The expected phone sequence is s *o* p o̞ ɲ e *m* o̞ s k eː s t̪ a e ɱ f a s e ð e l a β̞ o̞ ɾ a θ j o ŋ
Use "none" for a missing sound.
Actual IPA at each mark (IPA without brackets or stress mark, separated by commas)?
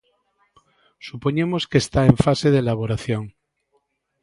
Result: u, m